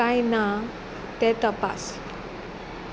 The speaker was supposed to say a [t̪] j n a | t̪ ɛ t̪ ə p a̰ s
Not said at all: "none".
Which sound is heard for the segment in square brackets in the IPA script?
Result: none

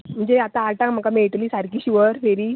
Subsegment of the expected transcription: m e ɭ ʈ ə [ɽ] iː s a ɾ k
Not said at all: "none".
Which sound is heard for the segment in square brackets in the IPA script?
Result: l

